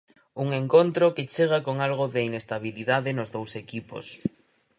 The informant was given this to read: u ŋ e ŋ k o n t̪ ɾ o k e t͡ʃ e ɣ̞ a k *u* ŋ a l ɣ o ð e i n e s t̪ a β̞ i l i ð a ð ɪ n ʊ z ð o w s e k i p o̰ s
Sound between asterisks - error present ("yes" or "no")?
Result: yes